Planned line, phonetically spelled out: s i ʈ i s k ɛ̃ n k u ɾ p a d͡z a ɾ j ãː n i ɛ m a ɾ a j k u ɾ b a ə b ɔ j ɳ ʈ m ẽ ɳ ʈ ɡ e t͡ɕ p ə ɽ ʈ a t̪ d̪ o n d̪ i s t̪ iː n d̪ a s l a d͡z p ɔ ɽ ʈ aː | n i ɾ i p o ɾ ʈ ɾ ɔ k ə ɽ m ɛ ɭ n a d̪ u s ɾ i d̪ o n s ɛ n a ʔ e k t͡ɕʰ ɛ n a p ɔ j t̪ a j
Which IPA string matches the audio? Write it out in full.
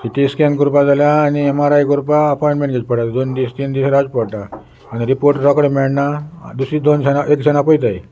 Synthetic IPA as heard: s i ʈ i s k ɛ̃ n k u ɾ p a d͡z a l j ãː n i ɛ m a ɾ a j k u ɾ p a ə p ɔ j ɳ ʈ m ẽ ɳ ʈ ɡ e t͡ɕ p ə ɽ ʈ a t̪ d̪ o n d̪ i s t̪ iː n d̪ i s ɾ a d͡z p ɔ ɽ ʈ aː | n i ɾ i p o ɾ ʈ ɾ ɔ k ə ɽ m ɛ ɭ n a d̪ u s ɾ i d̪ o n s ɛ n a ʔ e k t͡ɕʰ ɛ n a p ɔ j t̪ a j